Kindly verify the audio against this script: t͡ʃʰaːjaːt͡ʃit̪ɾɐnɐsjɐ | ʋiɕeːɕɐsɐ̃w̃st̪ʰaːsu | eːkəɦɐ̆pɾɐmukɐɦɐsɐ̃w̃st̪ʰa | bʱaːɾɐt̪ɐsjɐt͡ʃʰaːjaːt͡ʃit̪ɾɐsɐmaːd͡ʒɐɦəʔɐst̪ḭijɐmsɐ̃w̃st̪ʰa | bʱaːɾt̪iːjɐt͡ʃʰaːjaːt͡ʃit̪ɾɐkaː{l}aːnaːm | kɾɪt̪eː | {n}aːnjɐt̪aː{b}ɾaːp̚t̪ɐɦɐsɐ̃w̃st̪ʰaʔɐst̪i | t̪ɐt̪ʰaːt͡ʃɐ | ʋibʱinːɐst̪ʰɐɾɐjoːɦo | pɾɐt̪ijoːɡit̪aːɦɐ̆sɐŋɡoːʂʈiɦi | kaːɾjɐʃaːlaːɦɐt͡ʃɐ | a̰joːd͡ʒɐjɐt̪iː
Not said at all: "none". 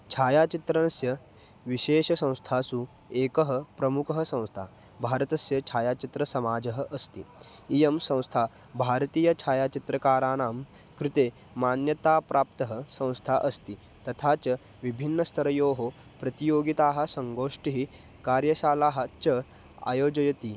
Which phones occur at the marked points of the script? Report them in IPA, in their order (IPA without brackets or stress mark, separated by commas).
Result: ɾ, m, p